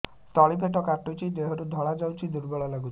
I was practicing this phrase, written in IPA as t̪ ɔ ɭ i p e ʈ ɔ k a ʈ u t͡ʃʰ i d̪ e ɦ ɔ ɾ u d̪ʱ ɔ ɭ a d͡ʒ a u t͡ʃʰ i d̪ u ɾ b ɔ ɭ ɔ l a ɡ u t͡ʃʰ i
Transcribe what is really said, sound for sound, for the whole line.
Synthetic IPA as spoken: t̪ ɔ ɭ i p e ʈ ɔ k a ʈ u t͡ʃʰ i d̪ e ɦ ɔ ɾ u d̪ʱ ɔ ɭ a d͡ʒ a w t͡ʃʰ i d̪ u ɾ b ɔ ɭ ɔ l a ɡ u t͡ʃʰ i